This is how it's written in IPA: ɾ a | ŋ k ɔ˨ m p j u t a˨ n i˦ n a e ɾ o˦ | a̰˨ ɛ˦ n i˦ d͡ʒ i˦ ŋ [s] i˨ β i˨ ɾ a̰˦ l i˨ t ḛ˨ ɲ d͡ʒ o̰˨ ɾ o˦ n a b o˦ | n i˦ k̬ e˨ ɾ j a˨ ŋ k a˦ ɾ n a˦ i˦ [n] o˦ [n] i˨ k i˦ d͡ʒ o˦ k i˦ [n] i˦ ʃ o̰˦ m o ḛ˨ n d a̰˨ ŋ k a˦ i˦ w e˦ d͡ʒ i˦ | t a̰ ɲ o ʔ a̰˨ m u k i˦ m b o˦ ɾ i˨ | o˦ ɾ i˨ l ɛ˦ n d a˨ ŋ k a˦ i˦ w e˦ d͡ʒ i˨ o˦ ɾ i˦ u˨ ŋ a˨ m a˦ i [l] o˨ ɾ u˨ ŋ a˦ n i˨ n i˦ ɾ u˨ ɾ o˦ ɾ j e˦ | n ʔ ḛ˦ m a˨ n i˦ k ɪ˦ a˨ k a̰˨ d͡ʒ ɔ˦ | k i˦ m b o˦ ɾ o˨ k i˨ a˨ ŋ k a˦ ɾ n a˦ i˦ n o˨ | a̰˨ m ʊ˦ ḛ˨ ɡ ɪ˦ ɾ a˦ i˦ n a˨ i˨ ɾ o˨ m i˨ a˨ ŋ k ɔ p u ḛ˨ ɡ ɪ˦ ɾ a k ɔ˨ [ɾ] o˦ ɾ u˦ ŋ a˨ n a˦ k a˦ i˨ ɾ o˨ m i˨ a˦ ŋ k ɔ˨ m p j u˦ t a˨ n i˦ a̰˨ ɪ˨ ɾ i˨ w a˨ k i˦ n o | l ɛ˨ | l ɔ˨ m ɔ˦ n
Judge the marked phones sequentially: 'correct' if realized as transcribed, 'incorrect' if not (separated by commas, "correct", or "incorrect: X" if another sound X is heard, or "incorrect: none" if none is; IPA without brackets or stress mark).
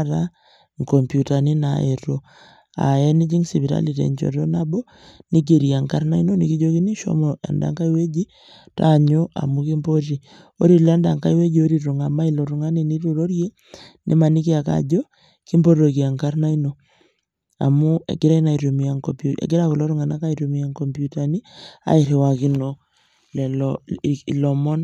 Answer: correct, correct, correct, correct, correct, incorrect: l